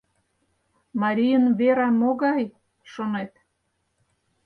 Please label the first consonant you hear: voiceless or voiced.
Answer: voiced